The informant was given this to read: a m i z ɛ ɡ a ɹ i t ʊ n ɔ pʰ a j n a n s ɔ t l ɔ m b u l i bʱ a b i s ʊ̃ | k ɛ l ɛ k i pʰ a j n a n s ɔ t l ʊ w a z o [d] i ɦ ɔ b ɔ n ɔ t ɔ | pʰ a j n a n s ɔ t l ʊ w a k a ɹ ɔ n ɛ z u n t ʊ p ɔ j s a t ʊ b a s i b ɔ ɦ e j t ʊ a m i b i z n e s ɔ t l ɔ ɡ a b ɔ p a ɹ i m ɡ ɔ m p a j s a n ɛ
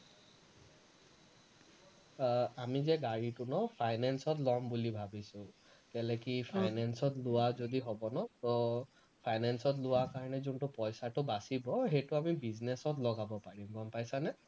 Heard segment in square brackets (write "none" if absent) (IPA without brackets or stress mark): d